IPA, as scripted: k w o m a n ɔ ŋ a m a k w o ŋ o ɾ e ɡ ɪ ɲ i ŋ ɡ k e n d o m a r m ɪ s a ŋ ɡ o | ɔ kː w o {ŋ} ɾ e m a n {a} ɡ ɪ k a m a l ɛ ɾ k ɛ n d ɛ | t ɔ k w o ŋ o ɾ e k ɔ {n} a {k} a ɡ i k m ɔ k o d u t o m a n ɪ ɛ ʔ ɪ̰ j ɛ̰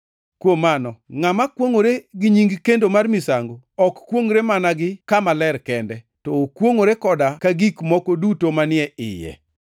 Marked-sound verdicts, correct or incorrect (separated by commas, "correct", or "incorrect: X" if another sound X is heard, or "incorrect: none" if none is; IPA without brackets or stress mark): correct, correct, incorrect: d, correct